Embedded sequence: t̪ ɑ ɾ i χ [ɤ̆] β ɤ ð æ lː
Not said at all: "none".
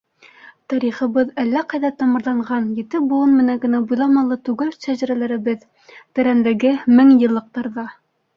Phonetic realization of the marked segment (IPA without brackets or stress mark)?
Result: ɤ̆